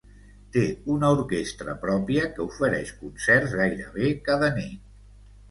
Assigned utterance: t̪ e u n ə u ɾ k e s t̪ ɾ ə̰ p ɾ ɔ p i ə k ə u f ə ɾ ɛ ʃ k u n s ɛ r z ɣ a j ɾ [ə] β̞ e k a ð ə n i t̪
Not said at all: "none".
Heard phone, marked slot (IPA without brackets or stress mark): ə